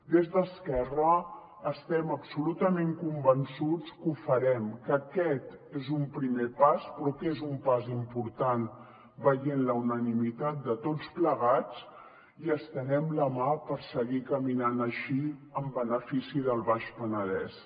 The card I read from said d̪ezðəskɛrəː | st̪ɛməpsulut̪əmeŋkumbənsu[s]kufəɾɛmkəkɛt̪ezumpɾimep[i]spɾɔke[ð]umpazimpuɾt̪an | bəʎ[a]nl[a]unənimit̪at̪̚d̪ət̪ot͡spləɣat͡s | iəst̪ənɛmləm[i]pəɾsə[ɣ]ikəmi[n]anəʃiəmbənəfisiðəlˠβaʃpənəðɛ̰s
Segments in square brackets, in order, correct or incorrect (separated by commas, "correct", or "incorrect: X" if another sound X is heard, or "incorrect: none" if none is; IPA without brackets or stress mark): incorrect: t͡s, incorrect: a, incorrect: z, incorrect: e, incorrect: ə, incorrect: a, correct, correct